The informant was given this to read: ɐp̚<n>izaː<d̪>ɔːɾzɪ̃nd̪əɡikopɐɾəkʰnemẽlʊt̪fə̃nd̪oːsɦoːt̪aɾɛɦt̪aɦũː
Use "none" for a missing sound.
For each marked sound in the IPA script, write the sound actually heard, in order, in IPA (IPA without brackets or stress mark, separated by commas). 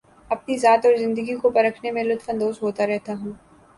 n, t̪